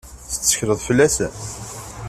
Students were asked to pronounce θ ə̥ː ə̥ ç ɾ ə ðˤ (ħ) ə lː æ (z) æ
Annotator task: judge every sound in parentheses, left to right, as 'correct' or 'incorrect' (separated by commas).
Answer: incorrect, incorrect